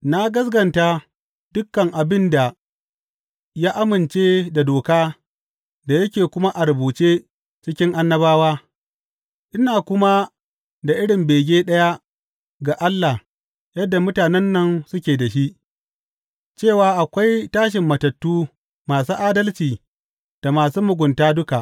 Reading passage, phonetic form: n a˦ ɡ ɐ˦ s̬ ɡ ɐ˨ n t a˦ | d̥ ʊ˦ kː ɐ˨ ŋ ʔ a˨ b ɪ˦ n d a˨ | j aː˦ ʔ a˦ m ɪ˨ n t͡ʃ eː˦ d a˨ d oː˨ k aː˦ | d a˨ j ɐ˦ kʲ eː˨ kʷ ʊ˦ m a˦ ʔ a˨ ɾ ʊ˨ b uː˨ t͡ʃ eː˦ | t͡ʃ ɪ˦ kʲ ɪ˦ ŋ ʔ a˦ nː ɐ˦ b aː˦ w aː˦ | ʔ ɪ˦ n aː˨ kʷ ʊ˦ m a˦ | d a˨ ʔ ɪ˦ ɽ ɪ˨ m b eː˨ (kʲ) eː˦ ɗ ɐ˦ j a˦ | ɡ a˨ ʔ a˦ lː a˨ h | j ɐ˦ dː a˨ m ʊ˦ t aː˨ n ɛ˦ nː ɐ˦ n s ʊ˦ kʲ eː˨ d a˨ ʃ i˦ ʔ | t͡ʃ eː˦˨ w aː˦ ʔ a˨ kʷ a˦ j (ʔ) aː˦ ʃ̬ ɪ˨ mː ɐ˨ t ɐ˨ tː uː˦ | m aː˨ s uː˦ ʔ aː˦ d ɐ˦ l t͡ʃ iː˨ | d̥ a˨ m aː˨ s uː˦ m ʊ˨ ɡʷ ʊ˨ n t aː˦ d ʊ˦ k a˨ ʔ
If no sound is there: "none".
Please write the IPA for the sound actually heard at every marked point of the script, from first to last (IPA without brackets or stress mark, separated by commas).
ɡʲ, t